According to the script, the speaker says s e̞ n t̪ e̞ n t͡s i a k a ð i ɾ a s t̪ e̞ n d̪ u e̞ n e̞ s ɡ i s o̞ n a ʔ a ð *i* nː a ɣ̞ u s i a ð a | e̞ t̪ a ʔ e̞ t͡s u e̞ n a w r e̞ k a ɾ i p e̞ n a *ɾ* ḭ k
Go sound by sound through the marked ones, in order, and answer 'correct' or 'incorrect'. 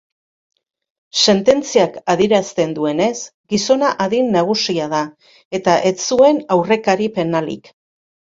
correct, incorrect: l

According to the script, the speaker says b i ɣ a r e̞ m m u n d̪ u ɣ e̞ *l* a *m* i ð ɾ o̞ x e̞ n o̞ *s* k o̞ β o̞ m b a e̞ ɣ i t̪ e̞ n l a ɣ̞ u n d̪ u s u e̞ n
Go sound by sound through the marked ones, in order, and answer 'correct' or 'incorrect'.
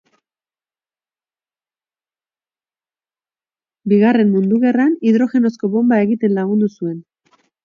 incorrect: r, incorrect: n, correct

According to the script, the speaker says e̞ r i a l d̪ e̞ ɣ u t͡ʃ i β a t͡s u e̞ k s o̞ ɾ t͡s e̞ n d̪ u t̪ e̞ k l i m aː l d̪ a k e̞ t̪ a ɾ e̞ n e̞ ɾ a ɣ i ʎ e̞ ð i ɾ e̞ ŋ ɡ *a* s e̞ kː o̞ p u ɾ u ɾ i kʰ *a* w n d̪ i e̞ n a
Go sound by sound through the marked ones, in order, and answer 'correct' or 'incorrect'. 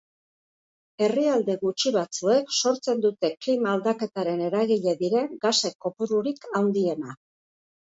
correct, correct

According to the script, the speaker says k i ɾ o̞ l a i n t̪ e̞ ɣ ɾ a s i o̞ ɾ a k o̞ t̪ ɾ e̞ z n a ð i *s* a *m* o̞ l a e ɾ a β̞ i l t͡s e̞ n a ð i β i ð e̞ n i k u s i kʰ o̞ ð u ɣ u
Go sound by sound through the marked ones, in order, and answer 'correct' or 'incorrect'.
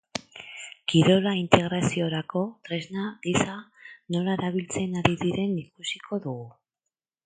correct, incorrect: n

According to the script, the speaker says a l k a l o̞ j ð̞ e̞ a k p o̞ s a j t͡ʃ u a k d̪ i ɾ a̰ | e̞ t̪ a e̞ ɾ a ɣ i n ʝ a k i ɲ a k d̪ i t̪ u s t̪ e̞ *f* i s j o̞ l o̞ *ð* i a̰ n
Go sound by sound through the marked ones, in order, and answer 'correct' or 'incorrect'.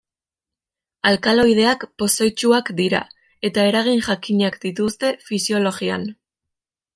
correct, incorrect: ɣ

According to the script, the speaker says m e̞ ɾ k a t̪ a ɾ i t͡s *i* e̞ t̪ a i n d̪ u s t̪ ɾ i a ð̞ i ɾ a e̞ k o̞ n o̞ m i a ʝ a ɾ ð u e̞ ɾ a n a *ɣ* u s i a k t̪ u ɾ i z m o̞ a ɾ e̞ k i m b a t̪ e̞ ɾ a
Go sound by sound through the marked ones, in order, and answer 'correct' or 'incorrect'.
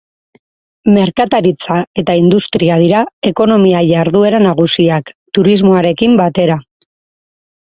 incorrect: a, correct

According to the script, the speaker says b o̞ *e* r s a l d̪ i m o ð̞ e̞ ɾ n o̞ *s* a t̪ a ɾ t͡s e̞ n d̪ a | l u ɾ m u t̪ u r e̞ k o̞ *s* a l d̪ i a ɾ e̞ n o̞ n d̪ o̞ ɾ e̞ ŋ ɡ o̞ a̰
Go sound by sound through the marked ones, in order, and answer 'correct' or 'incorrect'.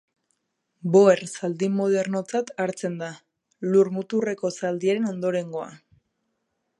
correct, incorrect: t͡s, correct

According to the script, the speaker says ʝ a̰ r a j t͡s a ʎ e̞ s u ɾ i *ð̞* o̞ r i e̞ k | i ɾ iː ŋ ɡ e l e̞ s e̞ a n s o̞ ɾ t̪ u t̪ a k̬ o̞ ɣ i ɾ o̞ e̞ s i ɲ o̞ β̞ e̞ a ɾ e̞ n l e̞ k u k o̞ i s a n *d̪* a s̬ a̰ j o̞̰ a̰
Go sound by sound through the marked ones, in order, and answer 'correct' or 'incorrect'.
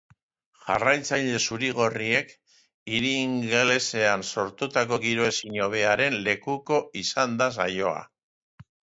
incorrect: ɣ̞, correct

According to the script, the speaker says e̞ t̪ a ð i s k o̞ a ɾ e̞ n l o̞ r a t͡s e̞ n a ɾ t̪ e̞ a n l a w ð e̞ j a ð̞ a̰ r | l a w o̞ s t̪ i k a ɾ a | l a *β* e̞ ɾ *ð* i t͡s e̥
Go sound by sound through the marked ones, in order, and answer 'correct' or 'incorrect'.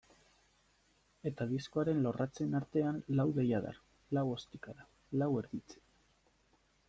incorrect: w, correct

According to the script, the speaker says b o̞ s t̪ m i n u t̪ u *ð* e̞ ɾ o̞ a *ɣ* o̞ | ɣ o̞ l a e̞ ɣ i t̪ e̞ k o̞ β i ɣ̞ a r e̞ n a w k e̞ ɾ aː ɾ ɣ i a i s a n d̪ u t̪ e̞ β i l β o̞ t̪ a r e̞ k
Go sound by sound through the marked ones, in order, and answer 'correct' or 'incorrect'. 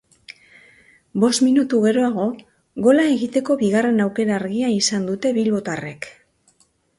incorrect: ɣ, correct

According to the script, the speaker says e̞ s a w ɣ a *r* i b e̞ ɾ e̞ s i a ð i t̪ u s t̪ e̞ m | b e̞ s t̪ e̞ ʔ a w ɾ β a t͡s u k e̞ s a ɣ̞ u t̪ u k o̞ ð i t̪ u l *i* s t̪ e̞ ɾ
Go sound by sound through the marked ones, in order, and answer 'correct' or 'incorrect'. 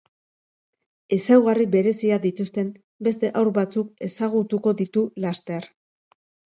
correct, incorrect: a

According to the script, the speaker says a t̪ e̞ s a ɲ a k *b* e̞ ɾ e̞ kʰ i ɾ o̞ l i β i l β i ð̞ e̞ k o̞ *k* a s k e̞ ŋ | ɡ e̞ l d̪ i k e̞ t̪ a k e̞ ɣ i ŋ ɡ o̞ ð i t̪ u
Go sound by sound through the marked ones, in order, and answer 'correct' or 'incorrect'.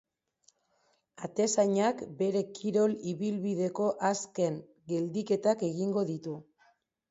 correct, incorrect: ʔ

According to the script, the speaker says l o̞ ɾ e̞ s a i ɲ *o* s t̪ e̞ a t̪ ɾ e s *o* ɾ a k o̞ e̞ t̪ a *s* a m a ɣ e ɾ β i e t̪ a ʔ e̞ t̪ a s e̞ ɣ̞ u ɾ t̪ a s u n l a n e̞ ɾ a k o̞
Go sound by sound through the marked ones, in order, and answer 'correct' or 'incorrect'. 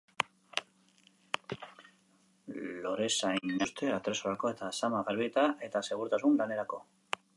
correct, correct, correct

